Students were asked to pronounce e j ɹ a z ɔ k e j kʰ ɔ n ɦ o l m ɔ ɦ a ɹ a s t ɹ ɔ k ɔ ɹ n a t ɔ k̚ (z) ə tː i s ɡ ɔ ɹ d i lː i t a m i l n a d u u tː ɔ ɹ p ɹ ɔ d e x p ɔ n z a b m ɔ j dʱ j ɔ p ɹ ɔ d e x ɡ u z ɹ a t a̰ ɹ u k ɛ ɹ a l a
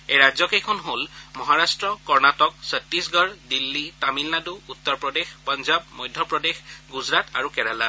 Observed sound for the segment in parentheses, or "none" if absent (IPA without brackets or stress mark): s